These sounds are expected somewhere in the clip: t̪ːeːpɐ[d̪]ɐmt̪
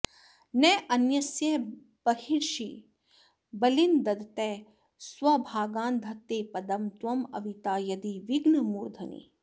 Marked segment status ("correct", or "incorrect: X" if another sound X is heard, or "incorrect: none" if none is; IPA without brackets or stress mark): correct